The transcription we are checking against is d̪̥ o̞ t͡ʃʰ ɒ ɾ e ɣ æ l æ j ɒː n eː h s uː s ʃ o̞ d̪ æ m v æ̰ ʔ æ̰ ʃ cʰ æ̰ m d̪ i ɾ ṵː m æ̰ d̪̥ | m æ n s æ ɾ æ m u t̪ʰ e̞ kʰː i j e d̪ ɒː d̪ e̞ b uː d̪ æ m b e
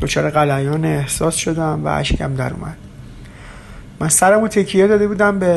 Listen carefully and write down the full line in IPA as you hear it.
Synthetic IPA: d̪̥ o̞ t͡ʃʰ ɒː ɾ e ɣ æ l æ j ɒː n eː h s ɒː s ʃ o̞ d̪ æ m v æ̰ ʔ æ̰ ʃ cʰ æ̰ m d̪ æ ɾ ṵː m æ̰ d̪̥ | m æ n s æ ɾ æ m u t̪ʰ e̞ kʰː i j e d̪ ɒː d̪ e̞ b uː d̪ æ m b e